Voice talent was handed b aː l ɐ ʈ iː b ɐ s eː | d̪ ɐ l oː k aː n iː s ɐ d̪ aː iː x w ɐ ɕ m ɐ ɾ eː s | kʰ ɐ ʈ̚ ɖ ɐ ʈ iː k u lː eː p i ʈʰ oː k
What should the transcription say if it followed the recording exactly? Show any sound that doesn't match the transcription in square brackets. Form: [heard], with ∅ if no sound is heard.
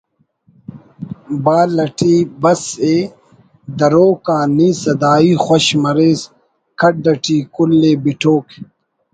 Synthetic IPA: b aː l ɐ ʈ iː b ɐ s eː | d̪ ɐ [ɾ] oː k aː n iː s ɐ d̪ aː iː x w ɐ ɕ m ɐ ɾ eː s | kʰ ɐ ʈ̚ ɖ ɐ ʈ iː k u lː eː [b] i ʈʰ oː k